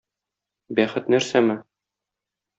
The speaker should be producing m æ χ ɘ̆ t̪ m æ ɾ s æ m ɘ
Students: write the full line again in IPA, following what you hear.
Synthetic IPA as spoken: b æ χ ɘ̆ t̪ n æ ɾ s æ m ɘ